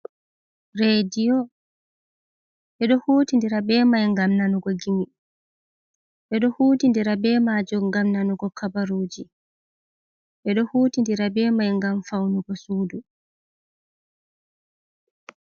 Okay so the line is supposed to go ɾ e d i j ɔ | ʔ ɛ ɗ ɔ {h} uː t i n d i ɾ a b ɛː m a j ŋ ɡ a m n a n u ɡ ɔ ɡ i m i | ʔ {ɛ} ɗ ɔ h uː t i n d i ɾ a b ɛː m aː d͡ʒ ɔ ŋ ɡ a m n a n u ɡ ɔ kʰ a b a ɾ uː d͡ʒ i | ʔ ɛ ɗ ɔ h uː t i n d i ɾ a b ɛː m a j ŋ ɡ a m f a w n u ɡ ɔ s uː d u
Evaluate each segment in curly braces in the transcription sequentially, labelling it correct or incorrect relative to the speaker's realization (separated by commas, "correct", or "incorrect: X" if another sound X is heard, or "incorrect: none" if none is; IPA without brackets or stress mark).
correct, correct